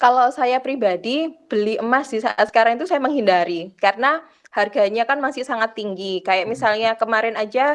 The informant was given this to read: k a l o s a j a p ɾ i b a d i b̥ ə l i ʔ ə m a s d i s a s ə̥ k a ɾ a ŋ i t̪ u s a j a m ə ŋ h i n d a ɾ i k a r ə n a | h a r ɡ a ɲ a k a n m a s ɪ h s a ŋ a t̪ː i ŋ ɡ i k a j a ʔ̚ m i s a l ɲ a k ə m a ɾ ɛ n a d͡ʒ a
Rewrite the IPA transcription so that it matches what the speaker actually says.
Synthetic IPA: k a l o s a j a p ɾ i b a d i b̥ ə l i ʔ ə m a s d i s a s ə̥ k a ɾ a ŋ i t̪ u s a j a m ə ŋ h i n d a ɾ i k a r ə n a | h a r ɡ a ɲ a k a n m a s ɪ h s a ŋ a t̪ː i ŋ ɡ i k a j a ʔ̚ m i s a l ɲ a k ə m a ɾ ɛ n a d͡ʒ a